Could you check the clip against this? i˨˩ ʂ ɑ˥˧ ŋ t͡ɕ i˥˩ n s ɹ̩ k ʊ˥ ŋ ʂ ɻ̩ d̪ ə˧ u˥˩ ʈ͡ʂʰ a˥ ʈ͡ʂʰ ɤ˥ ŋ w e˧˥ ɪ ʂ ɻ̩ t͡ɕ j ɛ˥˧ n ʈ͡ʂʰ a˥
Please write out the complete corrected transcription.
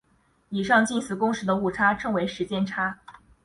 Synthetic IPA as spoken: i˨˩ ʂ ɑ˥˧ ŋ t͡ɕ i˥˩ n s ɹ̩ k ʊ˥ ŋ ʂ ɻ̩ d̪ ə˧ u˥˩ ʈ͡ʂʰ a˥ ʈ͡ʂʰ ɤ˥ ŋ w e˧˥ ɪ ʂ ɻ̩ t͡ɕ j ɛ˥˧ n ʈ͡ʂʰ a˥